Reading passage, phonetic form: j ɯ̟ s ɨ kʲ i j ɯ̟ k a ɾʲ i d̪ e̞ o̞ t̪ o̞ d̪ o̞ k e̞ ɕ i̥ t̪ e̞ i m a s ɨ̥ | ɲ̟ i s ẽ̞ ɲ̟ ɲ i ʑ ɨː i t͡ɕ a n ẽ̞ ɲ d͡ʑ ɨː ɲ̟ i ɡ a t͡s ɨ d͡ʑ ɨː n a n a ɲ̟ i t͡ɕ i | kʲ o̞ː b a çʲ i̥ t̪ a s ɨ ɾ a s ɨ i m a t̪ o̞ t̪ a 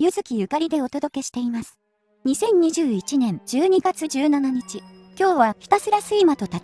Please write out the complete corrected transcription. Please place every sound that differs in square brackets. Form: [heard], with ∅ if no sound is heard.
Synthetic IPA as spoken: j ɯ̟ [z] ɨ kʲ i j ɯ̟ k a ɾʲ i d̪ e̞ o̞ t̪ o̞ d̪ o̞ k e̞ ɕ i̥ t̪ e̞ i m a s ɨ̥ | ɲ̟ i s ẽ̞ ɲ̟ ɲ i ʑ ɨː i t͡ɕ [i] n ẽ̞ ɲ d͡ʑ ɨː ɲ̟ i ɡ a t͡s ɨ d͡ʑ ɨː n a n a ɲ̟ i t͡ɕ i | kʲ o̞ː [β] a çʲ i̥ t̪ a s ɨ ɾ a s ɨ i m a t̪ o̞ t̪ a